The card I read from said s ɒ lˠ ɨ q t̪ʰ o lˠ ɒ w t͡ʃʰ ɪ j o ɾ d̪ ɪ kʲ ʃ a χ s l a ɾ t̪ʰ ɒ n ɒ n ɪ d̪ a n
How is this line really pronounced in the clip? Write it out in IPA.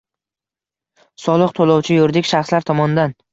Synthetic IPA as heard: s ɒ lˠ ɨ q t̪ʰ o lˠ ɒ w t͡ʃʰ ɪ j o ɾ d̪ ɪ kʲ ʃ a χ s l a ɾ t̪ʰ ɒ m ɒ n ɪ d̪ a n